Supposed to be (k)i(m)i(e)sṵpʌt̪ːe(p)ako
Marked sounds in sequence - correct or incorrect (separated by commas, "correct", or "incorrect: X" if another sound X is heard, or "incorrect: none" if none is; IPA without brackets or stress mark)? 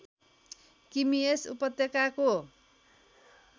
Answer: correct, correct, correct, incorrect: k